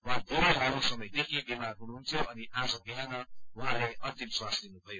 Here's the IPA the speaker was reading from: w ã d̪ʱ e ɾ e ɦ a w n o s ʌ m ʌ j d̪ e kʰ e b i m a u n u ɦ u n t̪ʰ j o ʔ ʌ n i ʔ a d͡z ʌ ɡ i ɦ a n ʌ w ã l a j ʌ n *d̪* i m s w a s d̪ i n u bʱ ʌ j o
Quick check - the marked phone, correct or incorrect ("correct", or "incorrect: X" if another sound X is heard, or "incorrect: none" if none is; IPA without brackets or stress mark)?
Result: incorrect: t̪